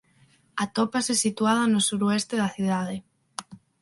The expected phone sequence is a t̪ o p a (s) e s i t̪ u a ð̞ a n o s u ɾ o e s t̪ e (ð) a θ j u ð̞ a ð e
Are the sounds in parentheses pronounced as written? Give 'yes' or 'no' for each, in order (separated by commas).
yes, yes